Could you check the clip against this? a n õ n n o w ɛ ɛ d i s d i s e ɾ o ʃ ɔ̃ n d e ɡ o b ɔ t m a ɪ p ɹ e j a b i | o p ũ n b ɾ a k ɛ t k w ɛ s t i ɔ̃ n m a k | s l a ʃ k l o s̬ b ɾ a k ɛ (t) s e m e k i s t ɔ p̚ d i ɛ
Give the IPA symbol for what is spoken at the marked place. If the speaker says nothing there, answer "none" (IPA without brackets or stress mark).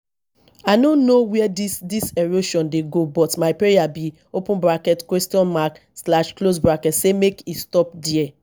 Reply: t